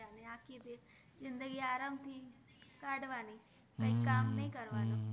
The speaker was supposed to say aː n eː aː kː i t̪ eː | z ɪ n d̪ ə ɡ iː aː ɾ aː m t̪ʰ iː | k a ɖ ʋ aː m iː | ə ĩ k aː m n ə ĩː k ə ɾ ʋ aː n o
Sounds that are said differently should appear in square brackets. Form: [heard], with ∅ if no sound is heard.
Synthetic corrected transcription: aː n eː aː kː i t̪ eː | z ɪ n d̪ ə ɡ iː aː ɾ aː m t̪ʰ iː | k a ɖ ʋ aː [n] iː | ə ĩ k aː m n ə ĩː k ə ɾ ʋ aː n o

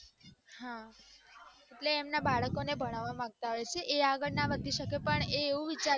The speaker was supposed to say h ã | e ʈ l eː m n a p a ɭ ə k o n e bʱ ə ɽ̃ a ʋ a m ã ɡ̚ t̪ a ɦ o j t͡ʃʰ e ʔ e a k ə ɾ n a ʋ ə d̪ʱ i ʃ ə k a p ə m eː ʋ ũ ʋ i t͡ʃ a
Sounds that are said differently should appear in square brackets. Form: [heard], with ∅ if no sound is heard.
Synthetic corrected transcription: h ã | e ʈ l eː m n a [b] a ɭ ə k o n e bʱ ə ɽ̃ a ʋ a m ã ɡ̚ t̪ a ɦ o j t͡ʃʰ e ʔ e a [ɡ] ə [ɭ] n a ʋ ə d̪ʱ i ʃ ə k [e] p ə [ɳ] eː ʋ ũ ʋ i t͡ʃ a

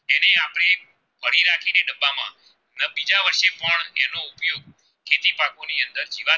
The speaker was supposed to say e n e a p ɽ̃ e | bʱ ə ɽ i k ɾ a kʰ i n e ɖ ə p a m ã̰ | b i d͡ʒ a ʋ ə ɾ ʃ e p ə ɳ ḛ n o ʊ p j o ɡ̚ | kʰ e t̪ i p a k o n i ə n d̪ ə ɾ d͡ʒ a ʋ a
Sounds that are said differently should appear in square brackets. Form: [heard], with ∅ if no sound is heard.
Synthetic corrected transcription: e n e a p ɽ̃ e | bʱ ə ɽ i [∅] ɾ a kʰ i n e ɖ ə [b] a m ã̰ | b i d͡ʒ a ʋ ə ɾ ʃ e p ə ɳ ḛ n o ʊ p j o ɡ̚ | kʰ e t̪ i p a k o n i ə n d̪ ə ɾ d͡ʒ [i] ʋ a

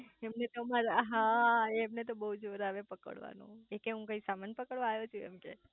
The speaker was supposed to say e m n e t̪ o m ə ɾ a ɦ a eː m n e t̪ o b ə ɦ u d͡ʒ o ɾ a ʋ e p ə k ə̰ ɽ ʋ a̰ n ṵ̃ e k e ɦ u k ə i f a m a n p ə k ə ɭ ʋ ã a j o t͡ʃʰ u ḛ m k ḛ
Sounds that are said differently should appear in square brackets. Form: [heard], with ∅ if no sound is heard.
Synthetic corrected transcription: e m n e t̪ o m [a] ɾ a ɦ a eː m n e t̪ o b ə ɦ u d͡ʒ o ɾ a ʋ e p ə k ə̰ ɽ ʋ a̰ n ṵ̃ e k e ɦ [ũ] k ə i [s] a m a n p ə k ə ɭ ʋ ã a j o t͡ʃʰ u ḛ m k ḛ

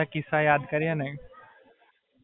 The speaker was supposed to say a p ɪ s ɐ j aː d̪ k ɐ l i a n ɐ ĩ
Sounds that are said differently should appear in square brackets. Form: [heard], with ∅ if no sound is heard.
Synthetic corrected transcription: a [k] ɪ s [a] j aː d̪ k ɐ [ɾ] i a n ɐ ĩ

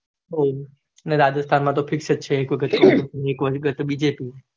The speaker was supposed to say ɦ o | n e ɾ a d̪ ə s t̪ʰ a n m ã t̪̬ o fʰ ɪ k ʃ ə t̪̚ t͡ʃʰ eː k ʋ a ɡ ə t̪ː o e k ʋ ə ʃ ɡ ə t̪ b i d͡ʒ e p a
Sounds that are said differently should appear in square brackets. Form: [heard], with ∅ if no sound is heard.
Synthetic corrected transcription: ɦ o | n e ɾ a d̪ ə s t̪ʰ a n m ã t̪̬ o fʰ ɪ k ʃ ə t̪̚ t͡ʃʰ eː k ʋ [ə] ɡ ə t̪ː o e k ʋ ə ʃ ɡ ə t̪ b i d͡ʒ e p [i]

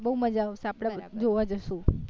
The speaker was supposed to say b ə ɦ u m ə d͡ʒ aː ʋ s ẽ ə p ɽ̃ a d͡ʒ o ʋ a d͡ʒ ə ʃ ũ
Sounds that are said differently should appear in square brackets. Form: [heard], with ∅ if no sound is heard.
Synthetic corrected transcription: b ə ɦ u m ə d͡ʒ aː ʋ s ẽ [a] p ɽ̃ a d͡ʒ o ʋ a d͡ʒ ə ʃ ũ

